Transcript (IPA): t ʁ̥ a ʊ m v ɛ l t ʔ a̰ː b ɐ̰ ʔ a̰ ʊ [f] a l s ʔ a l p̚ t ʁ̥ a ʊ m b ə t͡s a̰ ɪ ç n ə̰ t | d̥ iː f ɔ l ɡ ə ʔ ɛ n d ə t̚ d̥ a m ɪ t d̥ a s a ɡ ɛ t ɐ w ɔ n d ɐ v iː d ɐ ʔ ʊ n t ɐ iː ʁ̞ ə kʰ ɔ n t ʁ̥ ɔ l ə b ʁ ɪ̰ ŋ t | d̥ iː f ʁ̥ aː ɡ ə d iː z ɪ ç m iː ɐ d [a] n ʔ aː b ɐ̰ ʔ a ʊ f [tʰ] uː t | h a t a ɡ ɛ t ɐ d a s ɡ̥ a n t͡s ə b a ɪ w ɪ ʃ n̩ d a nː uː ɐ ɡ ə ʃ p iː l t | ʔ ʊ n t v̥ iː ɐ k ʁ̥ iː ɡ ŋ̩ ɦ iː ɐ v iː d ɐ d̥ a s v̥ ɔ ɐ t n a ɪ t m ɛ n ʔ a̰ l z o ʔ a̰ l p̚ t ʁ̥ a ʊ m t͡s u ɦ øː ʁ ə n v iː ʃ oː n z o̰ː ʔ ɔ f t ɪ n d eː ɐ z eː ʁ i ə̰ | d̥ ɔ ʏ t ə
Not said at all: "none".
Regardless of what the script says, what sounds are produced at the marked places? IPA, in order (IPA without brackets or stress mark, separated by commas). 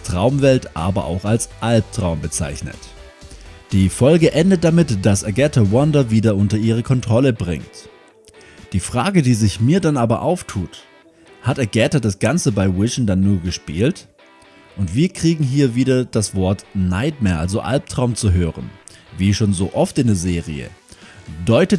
x, a, tʰ